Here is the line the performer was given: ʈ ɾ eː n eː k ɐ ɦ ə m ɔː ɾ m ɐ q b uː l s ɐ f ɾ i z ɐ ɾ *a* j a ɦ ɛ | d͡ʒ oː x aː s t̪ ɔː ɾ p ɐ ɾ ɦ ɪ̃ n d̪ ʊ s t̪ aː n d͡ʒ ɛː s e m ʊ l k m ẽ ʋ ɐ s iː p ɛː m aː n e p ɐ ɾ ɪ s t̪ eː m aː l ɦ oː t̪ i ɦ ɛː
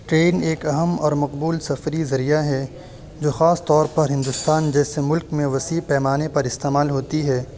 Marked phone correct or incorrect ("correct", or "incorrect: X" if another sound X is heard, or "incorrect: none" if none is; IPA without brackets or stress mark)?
incorrect: i